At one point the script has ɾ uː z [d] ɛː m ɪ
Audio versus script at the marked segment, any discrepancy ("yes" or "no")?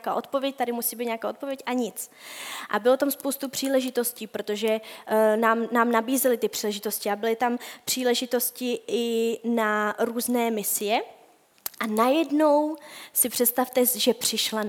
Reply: yes